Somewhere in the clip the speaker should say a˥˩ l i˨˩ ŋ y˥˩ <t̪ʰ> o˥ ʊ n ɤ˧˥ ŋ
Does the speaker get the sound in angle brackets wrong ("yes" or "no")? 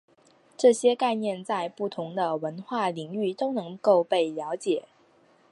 yes